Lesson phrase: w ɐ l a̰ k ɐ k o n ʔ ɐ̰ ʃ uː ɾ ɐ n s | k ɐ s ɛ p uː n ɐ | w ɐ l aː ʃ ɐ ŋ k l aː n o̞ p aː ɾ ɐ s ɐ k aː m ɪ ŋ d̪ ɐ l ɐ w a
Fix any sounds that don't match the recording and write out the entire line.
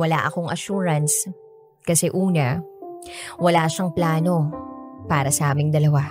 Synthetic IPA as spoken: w ɐ l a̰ ʔ ɐ k o ŋ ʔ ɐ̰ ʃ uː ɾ ɐ n s | k ɐ s ɛ ʔ uː n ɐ | w ɐ l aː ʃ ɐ ŋ p l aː n o̞ p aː ɾ ɐ s ɐ ʔ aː m ɪ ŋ d̪ ɐ l ɐ w a